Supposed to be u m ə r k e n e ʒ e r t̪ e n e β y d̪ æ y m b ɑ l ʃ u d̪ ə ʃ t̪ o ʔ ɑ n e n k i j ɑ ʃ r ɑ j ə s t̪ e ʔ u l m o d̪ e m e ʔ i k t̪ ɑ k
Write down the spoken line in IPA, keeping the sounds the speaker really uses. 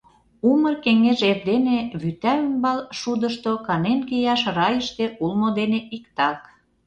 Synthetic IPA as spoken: u m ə r k e ŋ e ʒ e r d̪ e n e β y t̪ æ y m b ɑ l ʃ u d̪ ə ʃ t̪ o k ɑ n e n k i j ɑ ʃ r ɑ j ə ʃ t̪ e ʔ u l m o d̪ e n e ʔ i k t̪ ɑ k